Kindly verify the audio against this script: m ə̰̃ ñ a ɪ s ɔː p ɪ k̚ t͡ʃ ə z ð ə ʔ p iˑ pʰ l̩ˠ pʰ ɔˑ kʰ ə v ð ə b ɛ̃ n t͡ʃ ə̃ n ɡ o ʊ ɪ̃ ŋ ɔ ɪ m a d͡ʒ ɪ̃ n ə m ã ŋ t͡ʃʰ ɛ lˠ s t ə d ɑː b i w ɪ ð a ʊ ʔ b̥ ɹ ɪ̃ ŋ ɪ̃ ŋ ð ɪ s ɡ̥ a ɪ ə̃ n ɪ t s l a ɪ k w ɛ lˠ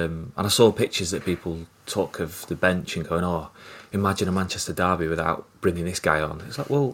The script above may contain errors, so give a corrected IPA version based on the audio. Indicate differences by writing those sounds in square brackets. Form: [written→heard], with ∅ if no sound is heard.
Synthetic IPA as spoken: m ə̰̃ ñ a ɪ s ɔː p ɪ k̚ t͡ʃ ə z ð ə ʔ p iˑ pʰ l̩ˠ [pʰ→tʰ] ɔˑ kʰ ə v ð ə b ɛ̃ n t͡ʃ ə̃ n ɡ o ʊ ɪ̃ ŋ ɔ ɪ m a d͡ʒ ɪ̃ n ə m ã [ŋ→n] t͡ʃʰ ɛ [lˠ→∅] s t ə d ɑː b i w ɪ ð a ʊ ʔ b̥ ɹ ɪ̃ ŋ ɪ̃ ŋ ð ɪ s ɡ̥ a ɪ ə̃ n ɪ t s l a ɪ k w ɛ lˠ